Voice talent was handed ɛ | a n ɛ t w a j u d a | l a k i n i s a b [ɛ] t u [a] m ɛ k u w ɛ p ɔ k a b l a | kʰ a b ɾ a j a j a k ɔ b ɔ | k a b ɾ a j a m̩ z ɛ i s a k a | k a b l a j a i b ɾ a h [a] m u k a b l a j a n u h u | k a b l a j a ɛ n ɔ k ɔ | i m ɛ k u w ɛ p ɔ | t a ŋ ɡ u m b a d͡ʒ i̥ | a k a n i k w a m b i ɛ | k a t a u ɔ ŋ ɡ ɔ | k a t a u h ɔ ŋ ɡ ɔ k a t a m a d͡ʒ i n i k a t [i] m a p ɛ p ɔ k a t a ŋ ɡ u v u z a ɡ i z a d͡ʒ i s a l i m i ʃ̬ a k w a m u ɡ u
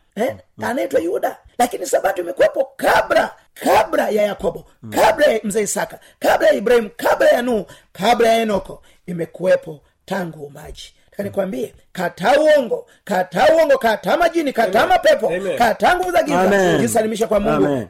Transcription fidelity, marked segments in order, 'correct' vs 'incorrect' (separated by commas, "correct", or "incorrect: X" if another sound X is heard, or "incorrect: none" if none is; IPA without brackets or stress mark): incorrect: a, incorrect: i, incorrect: i, incorrect: a